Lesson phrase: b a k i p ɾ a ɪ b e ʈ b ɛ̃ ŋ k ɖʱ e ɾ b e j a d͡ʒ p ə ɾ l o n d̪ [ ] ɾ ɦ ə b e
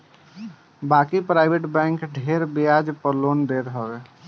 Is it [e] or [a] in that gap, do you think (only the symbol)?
e